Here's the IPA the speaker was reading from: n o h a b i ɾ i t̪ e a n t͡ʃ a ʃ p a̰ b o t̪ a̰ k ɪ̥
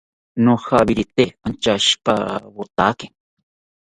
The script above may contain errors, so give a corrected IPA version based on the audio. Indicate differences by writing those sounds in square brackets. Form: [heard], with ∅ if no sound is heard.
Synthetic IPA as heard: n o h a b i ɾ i t̪ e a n t͡ʃ a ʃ p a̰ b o t̪ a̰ k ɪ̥